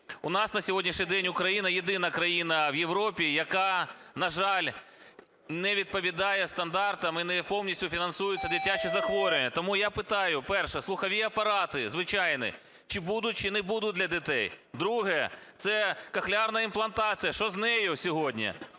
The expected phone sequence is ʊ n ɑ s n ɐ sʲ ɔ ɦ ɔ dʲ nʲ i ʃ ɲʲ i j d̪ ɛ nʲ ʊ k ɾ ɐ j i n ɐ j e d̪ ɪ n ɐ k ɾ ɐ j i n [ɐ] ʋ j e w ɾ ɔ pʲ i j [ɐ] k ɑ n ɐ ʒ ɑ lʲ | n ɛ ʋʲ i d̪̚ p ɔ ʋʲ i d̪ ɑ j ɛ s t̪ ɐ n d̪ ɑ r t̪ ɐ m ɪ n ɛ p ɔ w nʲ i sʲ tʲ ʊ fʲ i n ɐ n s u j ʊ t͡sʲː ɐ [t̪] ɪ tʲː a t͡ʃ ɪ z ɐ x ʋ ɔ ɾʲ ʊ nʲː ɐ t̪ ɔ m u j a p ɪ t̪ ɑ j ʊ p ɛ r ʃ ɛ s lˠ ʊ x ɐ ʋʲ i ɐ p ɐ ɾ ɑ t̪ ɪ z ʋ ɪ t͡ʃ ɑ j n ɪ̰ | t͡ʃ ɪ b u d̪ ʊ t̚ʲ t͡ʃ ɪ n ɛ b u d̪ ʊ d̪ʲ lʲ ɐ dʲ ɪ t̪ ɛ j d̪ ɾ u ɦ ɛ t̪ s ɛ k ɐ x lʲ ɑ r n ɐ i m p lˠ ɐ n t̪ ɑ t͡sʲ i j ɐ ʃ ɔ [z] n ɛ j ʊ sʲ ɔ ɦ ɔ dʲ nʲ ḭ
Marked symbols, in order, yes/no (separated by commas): yes, yes, no, yes